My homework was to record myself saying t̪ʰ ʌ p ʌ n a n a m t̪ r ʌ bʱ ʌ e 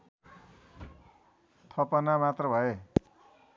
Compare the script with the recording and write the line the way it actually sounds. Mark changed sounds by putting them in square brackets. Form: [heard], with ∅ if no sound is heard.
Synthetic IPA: t̪ʰ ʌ p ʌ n a [m] a [∅] t̪ r ʌ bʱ ʌ e